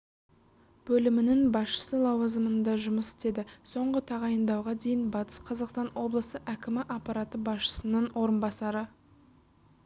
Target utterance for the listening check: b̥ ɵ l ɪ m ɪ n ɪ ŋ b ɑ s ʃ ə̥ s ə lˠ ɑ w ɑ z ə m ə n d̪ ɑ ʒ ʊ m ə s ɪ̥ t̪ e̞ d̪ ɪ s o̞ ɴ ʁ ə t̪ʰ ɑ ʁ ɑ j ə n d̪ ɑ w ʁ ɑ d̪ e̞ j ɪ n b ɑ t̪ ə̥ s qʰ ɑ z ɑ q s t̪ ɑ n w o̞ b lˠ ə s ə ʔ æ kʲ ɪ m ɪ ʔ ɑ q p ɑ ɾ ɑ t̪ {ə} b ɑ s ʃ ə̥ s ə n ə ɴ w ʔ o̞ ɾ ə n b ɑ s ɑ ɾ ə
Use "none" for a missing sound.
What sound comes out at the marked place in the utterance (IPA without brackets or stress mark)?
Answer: ə